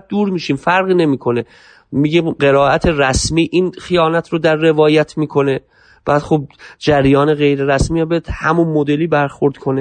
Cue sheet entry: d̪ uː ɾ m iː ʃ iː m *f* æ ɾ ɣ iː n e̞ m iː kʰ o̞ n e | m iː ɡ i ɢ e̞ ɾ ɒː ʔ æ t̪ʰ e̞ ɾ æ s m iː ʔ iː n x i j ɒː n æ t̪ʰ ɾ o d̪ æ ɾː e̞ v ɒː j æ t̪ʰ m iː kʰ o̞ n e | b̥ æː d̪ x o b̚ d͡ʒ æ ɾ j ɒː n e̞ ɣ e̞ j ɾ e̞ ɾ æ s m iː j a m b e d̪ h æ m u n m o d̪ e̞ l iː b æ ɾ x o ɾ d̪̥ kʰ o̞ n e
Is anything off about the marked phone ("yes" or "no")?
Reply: no